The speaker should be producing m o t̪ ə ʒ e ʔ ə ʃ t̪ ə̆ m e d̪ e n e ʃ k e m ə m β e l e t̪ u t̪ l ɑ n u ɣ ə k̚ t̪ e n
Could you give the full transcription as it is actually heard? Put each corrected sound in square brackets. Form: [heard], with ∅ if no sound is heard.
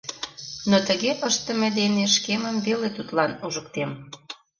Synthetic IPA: [n] o t̪ ə [ɣ] e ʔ ə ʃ t̪ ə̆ m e d̪ e n e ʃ k e m ə m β e l e t̪ u t̪ l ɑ n u [ʒ] ə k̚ t̪ e [m]